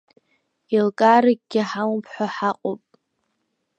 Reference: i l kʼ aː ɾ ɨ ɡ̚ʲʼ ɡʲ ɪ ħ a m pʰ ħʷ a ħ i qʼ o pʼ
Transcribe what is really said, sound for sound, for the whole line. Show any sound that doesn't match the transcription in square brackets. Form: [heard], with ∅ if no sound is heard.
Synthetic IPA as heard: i l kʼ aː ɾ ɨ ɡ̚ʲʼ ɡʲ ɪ ħ a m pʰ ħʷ a ħ [a] qʼ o pʼ

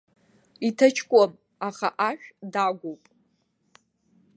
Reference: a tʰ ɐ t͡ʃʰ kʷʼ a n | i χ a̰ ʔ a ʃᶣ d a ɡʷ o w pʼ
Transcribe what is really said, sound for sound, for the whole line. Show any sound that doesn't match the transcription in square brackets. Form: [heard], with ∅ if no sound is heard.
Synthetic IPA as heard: [i] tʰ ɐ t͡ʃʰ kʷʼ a [m] | [a] χ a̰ ʔ a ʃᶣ d a ɡʷ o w pʼ

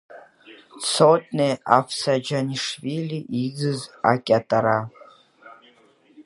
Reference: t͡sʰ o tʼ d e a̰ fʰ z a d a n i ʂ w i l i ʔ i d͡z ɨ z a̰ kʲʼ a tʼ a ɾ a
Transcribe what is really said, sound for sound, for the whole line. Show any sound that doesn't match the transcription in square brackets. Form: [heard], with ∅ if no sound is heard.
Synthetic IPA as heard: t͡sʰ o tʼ [n] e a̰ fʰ [s] a [d͡ʒ] a n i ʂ [v] i l i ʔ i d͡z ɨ z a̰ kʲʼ a tʼ a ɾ a

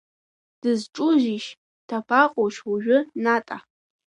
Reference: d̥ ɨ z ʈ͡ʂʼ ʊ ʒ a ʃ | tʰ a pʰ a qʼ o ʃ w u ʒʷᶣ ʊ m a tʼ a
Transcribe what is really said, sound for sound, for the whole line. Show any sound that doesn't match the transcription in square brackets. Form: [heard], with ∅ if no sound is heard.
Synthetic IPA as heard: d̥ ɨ z ʈ͡ʂʼ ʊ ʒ [i] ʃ | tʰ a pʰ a qʼ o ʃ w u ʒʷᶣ ʊ [n] a tʼ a

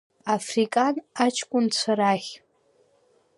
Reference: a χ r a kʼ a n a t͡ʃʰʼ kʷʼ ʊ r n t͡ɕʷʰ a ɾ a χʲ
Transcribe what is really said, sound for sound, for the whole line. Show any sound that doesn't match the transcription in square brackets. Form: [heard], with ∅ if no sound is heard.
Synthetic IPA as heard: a [f] r [i] kʼ a n a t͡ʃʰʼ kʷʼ ʊ [∅] n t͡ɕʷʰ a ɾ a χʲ

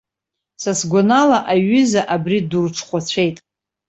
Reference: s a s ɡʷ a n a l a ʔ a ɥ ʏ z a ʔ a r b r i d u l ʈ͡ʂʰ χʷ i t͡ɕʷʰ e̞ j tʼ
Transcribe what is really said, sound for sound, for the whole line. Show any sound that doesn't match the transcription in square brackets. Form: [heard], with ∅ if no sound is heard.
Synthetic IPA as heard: s a s ɡʷ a n a l a ʔ a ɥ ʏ z a ʔ a [∅] b r i d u [r] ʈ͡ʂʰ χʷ [a] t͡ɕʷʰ e̞ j tʼ

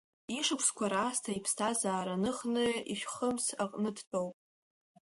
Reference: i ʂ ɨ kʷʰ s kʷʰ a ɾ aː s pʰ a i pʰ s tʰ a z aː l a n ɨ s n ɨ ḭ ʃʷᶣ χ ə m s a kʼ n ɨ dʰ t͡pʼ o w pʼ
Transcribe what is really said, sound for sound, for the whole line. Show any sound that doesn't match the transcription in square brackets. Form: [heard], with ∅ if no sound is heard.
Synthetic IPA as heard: i ʂ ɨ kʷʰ s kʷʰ a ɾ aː s [tʰ] a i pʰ s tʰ a z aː [ɾ] a n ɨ [χ] n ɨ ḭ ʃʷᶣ χ ə m s a [qʼ] n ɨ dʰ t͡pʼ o w pʼ

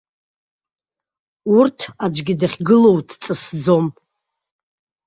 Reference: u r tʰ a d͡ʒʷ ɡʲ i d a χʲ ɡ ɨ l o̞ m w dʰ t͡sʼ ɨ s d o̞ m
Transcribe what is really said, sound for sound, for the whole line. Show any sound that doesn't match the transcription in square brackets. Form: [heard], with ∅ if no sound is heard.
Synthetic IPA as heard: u r tʰ a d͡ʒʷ ɡʲ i d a χʲ ɡ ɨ l o̞ [∅] w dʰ t͡sʼ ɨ s [d͡z] o̞ m

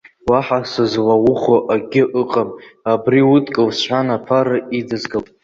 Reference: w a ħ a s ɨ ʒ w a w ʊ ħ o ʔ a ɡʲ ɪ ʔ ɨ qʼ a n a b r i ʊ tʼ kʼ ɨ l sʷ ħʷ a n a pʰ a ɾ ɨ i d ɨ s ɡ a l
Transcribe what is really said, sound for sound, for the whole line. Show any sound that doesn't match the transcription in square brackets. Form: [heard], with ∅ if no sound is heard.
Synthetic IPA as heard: w a ħ a s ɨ [z] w a w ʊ [χ] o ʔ a ɡʲ ɪ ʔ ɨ qʼ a [m] a b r i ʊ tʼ kʼ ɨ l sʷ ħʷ a n a pʰ a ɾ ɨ i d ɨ [z] ɡ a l

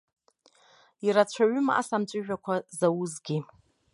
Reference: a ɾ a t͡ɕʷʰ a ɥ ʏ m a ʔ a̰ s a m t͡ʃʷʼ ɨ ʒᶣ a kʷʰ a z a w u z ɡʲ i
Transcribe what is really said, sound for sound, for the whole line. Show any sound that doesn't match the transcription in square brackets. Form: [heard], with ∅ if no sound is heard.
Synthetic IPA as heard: [i] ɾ a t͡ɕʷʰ a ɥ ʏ m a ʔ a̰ s a m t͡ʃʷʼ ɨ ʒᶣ a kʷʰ a z a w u z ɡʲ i

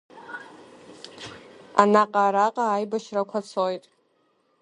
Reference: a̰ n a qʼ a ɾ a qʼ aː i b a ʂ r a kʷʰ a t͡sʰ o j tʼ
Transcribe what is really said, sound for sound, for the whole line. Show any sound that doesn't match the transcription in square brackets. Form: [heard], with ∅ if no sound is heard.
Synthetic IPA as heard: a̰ n a qʼ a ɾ a qʼ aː [j] b a [ʃ] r a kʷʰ a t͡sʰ o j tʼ

